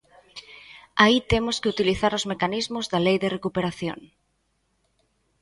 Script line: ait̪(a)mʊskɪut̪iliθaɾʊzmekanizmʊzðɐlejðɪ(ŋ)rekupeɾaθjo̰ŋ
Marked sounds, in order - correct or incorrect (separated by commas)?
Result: incorrect, incorrect